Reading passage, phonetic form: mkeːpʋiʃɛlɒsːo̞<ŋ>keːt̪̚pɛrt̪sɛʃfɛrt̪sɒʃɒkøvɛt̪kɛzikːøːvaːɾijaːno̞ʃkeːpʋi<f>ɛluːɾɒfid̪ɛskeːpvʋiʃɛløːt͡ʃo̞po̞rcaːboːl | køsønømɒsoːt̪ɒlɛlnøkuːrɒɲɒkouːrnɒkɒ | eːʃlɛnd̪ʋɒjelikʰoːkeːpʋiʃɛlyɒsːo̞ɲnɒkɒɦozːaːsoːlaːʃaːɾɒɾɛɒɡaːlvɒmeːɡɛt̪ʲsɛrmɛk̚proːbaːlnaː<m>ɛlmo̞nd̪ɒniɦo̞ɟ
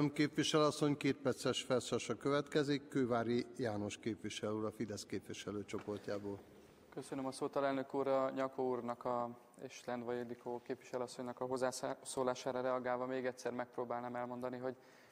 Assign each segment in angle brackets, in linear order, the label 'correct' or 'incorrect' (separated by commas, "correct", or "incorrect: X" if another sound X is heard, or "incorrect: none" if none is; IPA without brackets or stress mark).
incorrect: ɲ, incorrect: ʃ, correct